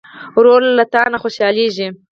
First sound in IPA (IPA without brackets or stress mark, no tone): ɾ